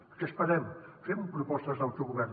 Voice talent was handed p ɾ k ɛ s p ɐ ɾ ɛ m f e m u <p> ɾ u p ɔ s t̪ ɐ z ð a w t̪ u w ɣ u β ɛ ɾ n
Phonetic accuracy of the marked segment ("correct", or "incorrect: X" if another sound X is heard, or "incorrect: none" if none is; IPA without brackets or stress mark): correct